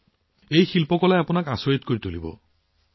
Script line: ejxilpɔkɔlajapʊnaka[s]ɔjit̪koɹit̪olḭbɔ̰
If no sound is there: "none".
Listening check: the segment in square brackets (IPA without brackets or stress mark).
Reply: s